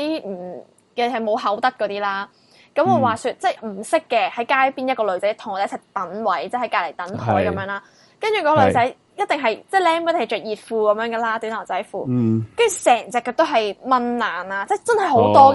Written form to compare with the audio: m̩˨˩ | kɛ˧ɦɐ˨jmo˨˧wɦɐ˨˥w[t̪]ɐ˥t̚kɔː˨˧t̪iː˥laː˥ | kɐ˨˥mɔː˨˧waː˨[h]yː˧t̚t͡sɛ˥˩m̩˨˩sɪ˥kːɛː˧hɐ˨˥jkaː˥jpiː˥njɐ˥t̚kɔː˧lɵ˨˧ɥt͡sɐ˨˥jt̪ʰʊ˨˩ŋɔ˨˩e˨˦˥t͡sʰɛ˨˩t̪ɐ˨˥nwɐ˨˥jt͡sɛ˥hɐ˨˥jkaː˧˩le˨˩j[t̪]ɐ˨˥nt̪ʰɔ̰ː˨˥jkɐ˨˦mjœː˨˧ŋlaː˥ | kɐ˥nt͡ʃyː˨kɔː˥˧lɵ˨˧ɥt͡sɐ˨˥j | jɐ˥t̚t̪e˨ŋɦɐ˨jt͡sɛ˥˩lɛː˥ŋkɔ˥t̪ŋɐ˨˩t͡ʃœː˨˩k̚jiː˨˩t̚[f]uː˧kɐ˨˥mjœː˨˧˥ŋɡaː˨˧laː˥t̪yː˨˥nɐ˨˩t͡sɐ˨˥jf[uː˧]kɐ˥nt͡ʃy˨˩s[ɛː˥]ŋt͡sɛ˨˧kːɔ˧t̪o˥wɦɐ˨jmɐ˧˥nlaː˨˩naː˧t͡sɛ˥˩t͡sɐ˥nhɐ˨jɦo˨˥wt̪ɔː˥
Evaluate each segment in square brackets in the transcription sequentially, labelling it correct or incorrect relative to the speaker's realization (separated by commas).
correct, incorrect, correct, correct, correct, incorrect